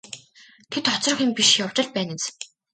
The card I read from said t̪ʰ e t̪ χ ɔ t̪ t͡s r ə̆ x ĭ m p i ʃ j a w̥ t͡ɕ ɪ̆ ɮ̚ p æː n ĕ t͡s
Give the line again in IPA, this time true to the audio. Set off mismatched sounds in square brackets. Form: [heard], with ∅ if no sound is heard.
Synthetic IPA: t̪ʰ e t̪ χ ɔ [∅] t͡s r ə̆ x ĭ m p i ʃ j a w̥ t͡ɕ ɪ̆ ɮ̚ p æː n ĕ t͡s